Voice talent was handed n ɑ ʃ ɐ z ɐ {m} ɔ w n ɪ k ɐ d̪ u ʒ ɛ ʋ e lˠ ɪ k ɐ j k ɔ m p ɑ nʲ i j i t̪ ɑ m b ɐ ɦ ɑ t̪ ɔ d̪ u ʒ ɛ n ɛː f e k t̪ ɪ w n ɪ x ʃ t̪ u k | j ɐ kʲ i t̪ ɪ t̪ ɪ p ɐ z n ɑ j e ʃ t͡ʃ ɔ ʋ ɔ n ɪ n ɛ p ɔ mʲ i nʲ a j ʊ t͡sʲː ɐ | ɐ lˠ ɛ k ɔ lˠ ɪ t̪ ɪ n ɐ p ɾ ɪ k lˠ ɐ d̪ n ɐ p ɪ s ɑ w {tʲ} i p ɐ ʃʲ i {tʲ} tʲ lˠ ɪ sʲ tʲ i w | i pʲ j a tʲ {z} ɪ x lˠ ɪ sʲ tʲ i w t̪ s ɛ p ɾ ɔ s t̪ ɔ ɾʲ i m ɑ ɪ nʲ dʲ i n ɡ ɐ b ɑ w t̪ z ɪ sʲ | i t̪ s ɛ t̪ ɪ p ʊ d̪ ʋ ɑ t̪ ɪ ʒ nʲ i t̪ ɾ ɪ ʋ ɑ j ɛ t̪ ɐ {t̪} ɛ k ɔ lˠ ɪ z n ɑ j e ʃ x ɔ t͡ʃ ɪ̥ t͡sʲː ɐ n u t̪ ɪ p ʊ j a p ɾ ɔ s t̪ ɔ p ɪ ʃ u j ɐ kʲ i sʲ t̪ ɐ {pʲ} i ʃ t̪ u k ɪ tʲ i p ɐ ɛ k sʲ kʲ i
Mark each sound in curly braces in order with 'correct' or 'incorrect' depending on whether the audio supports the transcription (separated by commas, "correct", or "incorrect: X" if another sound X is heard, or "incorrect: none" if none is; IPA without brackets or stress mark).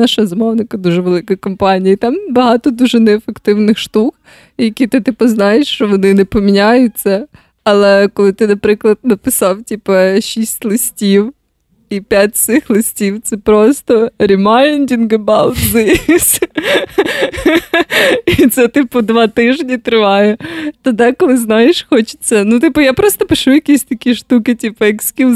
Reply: correct, correct, incorrect: sʲ, incorrect: s, incorrect: d̪, incorrect: kʲ